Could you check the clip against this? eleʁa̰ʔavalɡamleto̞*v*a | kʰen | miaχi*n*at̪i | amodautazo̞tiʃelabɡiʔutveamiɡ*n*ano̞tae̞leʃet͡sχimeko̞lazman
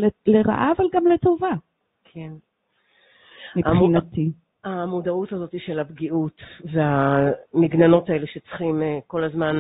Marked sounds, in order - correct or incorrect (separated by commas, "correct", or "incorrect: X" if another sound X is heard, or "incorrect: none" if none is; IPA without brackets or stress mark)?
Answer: correct, correct, correct